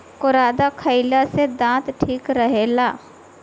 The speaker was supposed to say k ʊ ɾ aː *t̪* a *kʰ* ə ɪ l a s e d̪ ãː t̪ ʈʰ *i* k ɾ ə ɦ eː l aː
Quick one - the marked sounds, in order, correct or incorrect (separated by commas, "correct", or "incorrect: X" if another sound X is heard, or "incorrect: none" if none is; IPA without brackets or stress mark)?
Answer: incorrect: d̪, correct, incorrect: iː